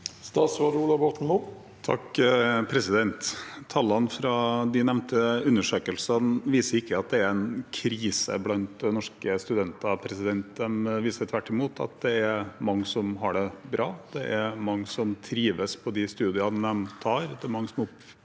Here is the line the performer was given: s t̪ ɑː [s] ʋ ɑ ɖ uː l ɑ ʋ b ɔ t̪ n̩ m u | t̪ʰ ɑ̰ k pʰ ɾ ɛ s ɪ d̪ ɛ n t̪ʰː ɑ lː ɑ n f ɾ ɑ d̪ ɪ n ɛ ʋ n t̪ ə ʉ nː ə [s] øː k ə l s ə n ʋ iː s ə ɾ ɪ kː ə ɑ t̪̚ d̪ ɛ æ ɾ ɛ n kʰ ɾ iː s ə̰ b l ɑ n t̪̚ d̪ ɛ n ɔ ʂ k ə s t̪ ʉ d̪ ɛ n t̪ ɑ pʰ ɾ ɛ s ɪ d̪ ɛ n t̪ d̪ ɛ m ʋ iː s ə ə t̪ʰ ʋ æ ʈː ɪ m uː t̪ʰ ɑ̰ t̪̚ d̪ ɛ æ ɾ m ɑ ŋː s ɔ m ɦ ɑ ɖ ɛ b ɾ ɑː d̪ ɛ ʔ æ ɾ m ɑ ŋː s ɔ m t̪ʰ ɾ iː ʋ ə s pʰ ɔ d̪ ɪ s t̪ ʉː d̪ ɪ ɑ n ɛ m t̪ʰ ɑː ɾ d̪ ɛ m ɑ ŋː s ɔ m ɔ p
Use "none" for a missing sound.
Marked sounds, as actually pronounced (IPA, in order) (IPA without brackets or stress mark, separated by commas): s, ʂ